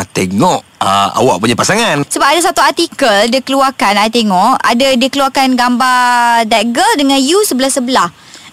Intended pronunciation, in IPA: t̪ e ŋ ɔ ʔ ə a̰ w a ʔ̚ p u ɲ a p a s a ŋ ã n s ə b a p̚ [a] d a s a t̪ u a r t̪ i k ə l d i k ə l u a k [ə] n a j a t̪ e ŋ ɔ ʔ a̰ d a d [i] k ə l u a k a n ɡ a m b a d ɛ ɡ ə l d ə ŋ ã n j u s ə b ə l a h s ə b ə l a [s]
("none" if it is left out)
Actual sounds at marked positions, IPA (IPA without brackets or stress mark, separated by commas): a, a, i, h